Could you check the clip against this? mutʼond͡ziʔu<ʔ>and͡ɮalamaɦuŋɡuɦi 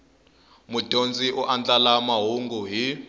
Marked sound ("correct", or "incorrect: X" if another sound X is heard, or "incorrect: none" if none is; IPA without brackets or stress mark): correct